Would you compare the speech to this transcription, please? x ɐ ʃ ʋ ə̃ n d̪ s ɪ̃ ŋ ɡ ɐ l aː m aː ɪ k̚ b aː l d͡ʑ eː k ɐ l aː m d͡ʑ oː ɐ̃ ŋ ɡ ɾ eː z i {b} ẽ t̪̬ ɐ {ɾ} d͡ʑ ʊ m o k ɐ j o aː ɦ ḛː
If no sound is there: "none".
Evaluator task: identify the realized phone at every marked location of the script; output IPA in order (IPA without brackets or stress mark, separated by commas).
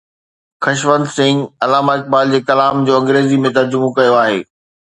m, ɾ